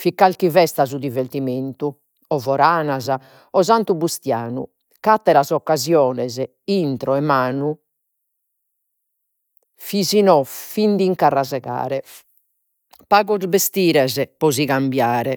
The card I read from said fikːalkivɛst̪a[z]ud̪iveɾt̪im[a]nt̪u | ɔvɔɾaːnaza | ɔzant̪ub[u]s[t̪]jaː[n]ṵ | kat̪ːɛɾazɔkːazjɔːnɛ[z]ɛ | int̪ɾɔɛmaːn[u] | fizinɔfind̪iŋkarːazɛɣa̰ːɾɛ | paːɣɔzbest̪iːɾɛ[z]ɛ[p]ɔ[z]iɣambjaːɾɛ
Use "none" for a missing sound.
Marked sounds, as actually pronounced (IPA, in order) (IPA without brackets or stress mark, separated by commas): z, e, u, t̪, n, z, u, z, p, z